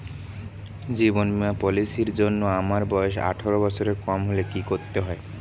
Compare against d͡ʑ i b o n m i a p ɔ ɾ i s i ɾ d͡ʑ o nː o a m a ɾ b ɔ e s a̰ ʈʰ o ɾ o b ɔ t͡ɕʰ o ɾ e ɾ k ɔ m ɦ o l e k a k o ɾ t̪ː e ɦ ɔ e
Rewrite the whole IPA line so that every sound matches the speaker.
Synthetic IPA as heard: d͡ʑ i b o n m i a p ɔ l i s i ɾ d͡ʑ o nː o a m a ɾ b ɔ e ʃ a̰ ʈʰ o ɾ o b ɔ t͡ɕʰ o ɾ e ɾ k ɔ m ɦ o l e k i k o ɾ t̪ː e ɦ ɔ e